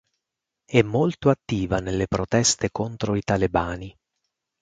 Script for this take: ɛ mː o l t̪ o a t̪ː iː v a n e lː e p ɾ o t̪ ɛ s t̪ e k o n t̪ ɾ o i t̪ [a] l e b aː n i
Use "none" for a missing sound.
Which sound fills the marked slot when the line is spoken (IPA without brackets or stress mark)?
a